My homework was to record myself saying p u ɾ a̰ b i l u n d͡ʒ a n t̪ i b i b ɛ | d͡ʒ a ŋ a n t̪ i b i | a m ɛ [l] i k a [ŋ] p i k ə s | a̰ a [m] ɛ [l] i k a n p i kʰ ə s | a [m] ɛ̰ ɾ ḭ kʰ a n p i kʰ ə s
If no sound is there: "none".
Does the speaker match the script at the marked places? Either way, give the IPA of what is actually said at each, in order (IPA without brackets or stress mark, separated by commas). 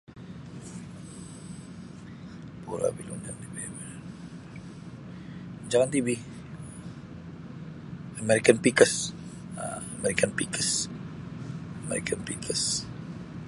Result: ɾ, n, m, ɾ, m